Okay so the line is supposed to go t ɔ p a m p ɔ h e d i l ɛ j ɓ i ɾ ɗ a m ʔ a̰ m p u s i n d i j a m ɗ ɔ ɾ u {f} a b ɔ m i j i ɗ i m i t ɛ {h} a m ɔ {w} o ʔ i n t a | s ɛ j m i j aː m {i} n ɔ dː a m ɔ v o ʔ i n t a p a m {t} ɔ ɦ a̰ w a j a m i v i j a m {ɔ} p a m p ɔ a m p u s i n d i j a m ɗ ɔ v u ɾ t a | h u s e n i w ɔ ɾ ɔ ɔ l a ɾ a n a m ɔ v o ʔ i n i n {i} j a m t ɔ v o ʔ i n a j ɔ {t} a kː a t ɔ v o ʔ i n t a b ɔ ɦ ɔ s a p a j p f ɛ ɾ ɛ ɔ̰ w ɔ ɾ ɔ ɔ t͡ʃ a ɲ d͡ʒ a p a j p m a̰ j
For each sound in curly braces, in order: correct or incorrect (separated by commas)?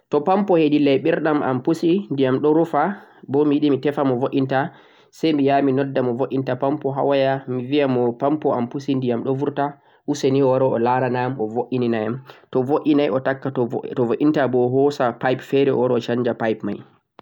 correct, incorrect, incorrect, correct, incorrect, correct, incorrect, correct